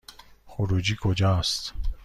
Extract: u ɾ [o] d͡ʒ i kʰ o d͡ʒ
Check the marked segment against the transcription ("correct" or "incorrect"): incorrect